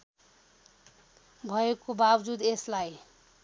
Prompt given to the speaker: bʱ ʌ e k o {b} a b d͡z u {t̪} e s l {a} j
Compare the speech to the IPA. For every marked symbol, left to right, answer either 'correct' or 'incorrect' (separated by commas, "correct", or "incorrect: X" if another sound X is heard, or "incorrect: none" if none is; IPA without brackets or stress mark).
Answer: correct, incorrect: d̪, correct